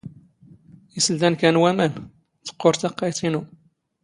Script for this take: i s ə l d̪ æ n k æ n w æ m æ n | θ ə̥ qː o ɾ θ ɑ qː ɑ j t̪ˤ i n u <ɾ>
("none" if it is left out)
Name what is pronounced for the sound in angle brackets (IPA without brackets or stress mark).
none